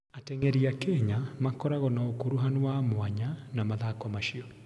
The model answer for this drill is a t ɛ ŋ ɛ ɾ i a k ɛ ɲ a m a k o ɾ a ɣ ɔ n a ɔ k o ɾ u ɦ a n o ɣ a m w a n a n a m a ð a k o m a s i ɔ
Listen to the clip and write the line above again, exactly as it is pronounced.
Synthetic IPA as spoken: a t ɛ ŋ ɛ ɾ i a k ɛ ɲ a m a k ɔ ɾ a ɣ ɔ n a o k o ɾ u ɦ a n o w a m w a ɲ a n a m a ð a k ɔ m a ʃ i ɔ